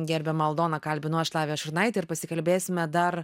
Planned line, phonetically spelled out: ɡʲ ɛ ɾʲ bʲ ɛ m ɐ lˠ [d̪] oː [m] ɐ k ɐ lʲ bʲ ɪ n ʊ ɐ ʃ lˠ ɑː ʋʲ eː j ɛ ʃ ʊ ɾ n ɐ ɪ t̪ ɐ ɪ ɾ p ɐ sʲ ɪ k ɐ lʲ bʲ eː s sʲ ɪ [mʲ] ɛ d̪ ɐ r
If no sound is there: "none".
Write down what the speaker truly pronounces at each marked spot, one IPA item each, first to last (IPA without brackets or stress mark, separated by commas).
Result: d̪, n, mʲ